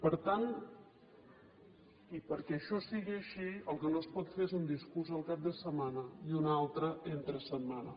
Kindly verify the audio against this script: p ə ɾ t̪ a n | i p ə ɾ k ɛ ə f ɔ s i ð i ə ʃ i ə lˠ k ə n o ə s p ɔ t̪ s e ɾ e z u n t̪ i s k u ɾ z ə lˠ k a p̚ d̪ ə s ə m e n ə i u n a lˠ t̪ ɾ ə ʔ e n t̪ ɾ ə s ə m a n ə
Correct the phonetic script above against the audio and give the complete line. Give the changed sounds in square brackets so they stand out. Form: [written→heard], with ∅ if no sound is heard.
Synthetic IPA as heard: p ə ɾ t̪ a n | i p ə ɾ k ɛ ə [f→ʃ] ɔ s i [ð→ɣ] i ə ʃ i ə lˠ k ə n o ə s p ɔ t̪ [s→f] e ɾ e z u n [t̪→d̪] i s k u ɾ z ə lˠ k a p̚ d̪ ə s ə m [e→a] n ə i u n a lˠ t̪ ɾ ə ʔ e n t̪ ɾ ə s ə m a n ə